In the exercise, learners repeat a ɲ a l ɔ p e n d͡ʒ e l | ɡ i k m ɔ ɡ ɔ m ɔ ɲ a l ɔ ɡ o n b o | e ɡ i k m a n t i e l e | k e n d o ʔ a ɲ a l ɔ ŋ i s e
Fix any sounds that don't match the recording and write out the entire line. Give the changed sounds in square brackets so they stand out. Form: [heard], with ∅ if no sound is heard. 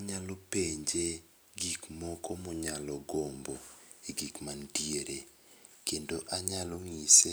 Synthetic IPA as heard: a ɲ a l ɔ p e [ɲ] d͡ʒ e [∅] | ɡ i k m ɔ [k] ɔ m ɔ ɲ a l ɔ ɡ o [m] b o | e ɡ i k m a n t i e [ɾ] e | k e n d o ʔ a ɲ a l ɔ ŋ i s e